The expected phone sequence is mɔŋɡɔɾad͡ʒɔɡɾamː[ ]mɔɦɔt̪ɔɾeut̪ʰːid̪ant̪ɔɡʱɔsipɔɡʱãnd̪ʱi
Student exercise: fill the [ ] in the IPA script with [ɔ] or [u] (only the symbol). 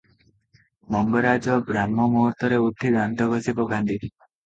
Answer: ɔ